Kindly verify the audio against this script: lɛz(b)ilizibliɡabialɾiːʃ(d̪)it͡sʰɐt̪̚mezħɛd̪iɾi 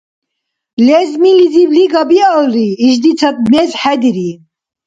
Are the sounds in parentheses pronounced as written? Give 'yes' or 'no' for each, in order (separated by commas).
no, yes